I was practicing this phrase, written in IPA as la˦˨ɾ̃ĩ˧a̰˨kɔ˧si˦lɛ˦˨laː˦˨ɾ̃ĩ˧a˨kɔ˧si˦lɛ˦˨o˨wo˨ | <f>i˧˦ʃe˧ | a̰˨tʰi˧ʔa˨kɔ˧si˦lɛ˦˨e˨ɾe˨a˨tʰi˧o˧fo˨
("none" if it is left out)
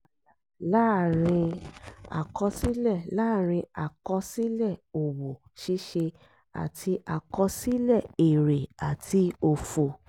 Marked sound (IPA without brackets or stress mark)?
ʃ